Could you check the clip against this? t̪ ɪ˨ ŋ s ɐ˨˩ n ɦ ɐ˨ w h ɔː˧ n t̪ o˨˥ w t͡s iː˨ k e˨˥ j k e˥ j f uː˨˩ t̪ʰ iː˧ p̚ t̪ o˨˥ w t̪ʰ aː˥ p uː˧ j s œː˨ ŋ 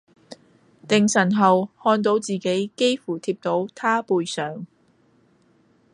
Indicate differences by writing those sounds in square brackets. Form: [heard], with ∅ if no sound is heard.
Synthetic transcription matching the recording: t̪ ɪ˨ ŋ s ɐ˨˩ n ɦ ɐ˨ w h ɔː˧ n t̪ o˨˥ w t͡s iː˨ k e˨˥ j k e˥ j f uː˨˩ t̪ʰ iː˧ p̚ t̪ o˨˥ w t̪ʰ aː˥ p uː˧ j s œː˨ ŋ